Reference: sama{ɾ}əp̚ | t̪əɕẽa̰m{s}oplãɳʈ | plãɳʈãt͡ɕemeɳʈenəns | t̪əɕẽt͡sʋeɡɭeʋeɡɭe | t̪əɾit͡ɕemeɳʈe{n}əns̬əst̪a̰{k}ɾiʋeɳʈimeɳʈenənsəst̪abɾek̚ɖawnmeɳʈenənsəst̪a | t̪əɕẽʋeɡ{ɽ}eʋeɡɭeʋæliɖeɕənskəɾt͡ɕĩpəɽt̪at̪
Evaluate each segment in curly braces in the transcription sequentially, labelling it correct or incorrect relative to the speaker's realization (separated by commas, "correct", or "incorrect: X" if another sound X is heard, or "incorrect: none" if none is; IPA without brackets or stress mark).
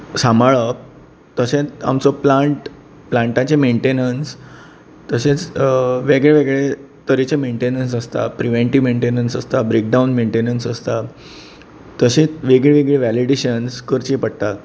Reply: incorrect: ɭ, incorrect: t͡s, correct, incorrect: p, incorrect: ɭ